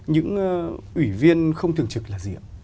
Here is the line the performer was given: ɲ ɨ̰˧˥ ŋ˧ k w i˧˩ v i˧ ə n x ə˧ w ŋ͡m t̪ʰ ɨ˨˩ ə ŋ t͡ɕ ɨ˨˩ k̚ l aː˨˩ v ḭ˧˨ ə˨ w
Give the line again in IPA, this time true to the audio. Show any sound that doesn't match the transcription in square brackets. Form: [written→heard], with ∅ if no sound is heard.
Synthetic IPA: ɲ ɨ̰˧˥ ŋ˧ [k→ʔ] w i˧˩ v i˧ ə n x ə˧ w ŋ͡m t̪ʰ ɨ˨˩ ə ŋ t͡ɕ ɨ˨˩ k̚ l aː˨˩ [v→z] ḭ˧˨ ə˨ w